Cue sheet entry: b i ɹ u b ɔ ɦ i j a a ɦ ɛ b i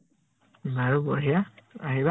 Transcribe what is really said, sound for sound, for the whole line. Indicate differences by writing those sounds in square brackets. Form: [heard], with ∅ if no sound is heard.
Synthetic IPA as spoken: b [a] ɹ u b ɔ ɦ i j a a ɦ [i] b [a]